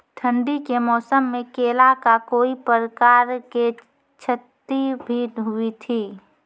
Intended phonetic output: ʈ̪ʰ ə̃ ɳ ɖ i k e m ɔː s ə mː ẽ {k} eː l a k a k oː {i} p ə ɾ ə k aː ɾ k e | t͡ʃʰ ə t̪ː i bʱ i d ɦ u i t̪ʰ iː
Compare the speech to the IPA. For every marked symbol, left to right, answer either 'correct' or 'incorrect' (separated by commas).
correct, correct